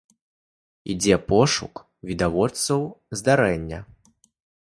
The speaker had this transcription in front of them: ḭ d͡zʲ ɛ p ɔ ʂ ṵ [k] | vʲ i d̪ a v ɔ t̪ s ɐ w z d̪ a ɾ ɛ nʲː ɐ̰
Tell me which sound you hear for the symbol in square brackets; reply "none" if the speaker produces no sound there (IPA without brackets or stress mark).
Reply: k